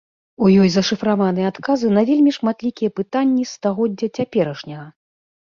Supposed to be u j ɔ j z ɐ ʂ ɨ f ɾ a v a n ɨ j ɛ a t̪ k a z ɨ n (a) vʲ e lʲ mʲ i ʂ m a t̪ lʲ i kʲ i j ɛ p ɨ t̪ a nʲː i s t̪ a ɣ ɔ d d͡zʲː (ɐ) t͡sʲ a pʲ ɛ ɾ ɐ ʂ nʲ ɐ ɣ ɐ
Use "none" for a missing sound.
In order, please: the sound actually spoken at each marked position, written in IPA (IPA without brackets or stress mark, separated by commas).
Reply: ɐ, ɐ